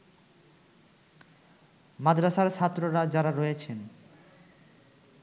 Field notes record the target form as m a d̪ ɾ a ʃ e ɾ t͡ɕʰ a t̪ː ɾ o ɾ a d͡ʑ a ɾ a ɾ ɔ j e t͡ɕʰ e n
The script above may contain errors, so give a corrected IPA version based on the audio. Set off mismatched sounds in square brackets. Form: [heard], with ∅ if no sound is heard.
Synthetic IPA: m a d̪ ɾ a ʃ [a] ɾ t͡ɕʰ a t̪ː ɾ o ɾ a d͡ʑ a ɾ a ɾ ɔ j e t͡ɕʰ e n